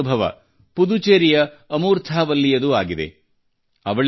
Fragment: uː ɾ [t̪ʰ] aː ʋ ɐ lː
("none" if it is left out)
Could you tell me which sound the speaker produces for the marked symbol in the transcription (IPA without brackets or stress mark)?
t̪ʰ